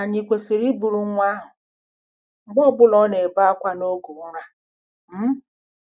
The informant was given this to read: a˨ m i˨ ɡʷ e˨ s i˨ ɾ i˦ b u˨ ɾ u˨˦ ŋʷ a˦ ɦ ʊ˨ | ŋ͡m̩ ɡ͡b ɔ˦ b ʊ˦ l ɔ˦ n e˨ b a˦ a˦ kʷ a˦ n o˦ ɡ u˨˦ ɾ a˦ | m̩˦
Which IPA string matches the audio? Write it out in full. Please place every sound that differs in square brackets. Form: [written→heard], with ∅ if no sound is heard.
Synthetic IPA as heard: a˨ [m→ɲ] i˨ [ɡʷ→kʷ] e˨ s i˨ ɾ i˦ b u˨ ɾ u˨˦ ŋʷ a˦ ɦ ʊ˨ | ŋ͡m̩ ɡ͡b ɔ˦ b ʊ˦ l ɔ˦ n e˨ b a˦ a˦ kʷ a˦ n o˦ ɡ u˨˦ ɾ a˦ | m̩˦